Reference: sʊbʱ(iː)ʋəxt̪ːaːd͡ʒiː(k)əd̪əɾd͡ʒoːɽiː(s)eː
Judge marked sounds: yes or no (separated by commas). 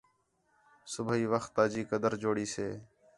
yes, yes, yes